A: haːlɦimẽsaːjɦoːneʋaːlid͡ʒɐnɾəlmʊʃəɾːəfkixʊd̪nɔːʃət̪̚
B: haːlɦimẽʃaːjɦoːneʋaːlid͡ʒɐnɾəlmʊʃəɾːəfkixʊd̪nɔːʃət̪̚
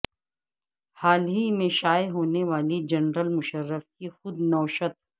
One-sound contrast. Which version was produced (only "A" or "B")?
B